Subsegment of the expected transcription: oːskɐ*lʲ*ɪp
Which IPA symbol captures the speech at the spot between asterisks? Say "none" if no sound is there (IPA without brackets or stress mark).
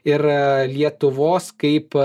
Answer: none